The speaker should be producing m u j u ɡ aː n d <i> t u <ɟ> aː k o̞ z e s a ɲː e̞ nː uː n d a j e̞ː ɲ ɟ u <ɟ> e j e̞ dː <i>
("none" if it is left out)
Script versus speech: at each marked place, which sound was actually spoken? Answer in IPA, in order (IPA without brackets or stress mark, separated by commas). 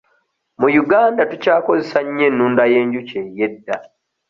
a, c, c, a